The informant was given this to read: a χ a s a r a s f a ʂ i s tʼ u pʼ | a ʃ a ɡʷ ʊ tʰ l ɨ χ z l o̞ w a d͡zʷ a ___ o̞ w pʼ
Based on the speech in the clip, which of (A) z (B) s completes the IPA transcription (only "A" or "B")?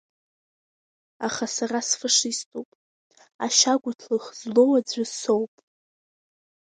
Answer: B